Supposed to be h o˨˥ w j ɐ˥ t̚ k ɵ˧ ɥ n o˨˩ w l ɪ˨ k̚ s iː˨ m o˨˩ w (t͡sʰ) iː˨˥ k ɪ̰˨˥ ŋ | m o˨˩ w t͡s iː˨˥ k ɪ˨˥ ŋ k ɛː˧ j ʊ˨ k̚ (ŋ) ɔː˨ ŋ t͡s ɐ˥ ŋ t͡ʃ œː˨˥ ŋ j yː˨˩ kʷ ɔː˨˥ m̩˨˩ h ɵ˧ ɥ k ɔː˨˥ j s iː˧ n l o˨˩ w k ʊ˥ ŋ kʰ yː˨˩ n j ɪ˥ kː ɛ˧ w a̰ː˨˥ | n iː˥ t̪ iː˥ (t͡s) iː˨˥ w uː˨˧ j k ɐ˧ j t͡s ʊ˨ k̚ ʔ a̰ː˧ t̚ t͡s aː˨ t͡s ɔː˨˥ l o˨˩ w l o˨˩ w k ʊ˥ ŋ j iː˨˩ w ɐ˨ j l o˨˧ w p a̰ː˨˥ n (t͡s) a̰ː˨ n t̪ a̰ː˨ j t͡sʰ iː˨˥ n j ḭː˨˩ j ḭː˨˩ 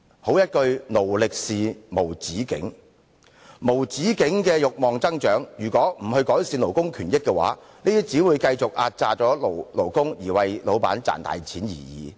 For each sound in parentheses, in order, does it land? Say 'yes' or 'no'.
no, no, yes, yes

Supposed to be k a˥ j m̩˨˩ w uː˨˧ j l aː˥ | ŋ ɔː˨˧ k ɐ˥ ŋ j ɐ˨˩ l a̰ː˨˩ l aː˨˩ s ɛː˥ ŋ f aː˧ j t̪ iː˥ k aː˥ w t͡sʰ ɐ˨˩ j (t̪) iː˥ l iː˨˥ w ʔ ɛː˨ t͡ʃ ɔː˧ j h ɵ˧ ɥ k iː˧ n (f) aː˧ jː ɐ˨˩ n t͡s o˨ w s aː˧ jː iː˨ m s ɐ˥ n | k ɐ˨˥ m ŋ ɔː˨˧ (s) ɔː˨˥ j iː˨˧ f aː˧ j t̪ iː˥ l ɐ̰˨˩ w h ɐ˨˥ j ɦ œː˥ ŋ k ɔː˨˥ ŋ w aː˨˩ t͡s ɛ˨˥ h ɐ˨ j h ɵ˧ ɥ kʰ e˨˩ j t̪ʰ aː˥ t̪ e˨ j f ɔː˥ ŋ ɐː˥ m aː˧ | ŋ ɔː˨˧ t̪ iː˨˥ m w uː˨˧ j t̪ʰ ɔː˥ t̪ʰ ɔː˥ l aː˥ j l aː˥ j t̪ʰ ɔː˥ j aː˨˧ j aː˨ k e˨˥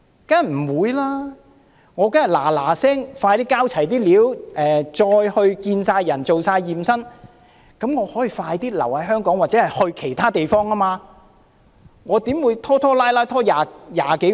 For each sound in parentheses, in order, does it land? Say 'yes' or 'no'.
yes, no, no

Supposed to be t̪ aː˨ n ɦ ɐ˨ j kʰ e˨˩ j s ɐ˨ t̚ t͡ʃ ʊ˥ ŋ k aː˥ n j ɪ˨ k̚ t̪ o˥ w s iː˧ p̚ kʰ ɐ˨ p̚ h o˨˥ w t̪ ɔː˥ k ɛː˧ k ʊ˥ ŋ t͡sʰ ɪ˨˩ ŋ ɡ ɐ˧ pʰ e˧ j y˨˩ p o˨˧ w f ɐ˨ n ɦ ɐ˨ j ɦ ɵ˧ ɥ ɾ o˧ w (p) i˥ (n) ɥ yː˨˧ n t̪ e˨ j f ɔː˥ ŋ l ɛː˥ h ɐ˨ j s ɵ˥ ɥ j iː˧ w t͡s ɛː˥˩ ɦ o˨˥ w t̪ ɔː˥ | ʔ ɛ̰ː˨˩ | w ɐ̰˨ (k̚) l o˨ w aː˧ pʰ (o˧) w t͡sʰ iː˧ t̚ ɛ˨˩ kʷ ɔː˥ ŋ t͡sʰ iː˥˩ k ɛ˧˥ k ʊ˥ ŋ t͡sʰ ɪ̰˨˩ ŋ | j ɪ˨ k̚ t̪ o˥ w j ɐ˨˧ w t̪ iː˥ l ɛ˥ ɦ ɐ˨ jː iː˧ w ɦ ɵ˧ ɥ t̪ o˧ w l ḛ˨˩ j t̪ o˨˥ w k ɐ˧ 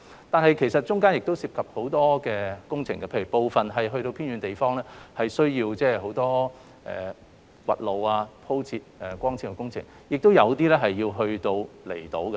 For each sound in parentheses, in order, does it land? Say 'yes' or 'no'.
no, yes, no, no

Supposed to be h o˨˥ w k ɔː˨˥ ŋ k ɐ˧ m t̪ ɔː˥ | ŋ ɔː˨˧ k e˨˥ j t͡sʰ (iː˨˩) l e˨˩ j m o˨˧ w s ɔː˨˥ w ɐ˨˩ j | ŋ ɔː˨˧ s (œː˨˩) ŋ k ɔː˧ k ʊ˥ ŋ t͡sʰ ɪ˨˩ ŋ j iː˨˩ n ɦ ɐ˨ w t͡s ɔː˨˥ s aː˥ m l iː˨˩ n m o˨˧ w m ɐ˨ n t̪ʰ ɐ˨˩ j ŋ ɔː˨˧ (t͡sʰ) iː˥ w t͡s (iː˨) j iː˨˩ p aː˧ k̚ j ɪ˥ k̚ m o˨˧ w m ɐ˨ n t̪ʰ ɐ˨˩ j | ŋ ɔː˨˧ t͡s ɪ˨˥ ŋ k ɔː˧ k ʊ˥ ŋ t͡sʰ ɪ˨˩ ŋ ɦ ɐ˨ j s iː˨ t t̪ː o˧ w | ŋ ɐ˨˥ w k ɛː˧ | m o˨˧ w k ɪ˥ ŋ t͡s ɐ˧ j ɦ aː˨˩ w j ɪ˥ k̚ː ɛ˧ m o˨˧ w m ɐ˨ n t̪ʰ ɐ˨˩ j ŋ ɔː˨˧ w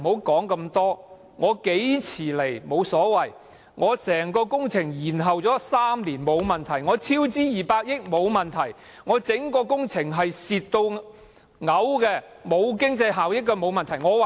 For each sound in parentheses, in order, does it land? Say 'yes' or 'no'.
yes, no, yes, no

